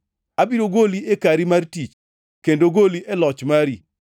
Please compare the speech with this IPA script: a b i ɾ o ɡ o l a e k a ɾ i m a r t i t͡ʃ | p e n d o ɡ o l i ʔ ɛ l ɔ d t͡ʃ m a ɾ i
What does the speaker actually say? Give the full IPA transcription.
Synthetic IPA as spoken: a b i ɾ o ɡ o l i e k a ɾ i m a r t i t͡ʃ | k e n d o ɡ o l i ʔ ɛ l ɔ t͡ʃ m a ɾ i